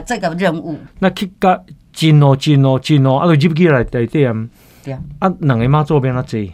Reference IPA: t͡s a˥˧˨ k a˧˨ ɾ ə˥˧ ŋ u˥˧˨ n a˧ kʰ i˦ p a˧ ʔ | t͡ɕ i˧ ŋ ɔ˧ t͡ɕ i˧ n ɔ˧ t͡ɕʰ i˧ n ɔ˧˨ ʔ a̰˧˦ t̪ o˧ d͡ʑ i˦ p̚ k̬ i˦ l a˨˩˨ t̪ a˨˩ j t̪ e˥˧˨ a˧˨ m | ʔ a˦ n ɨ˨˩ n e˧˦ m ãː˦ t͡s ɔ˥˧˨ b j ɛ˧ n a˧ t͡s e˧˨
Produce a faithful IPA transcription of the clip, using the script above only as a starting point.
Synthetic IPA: t͡s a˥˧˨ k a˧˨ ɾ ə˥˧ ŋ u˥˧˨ n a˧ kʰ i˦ k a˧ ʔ | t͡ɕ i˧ n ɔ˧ t͡ɕ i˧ n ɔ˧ t͡ɕ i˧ n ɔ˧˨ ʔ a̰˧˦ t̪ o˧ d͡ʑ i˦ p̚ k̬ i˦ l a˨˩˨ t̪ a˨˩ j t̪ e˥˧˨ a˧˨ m | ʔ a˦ n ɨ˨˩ ŋ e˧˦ m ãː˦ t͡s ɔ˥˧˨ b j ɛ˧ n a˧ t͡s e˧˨